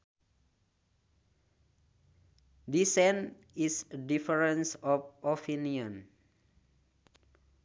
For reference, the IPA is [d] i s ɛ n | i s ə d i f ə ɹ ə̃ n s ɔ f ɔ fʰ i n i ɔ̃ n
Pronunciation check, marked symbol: correct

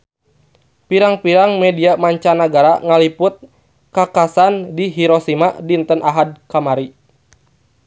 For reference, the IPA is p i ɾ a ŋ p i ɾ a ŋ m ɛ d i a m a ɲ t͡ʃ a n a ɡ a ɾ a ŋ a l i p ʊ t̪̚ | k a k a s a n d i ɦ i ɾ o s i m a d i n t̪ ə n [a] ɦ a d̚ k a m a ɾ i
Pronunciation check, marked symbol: correct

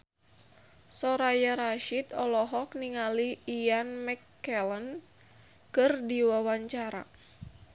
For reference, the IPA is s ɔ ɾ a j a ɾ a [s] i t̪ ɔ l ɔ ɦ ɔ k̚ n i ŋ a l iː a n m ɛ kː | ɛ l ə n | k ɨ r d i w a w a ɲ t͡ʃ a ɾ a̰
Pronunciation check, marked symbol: incorrect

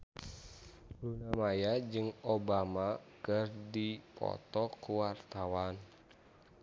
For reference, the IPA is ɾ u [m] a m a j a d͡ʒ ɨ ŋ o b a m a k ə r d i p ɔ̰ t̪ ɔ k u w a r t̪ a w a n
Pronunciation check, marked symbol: incorrect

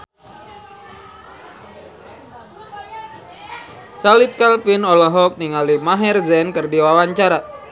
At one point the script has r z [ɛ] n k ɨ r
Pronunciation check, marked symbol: correct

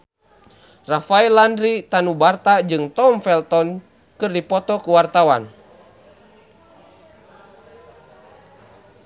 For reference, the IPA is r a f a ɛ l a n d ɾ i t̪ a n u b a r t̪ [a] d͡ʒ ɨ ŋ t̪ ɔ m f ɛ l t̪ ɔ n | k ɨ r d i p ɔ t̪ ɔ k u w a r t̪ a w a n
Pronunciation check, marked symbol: correct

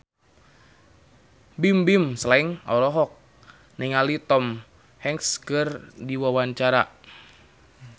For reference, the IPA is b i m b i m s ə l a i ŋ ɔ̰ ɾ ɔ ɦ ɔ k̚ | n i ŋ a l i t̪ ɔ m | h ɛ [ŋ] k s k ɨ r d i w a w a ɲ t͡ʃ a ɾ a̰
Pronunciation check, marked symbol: correct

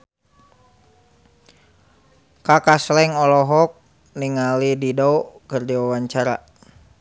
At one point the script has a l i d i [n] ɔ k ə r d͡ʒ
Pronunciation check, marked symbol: incorrect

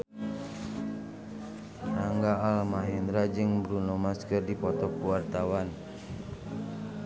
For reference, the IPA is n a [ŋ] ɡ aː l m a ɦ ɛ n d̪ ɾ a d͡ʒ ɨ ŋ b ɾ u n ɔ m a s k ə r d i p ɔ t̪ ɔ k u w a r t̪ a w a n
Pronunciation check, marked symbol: correct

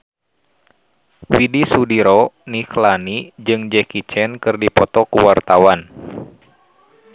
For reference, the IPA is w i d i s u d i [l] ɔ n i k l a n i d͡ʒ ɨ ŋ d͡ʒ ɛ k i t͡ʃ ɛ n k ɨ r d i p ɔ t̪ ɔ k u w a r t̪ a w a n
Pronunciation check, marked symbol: incorrect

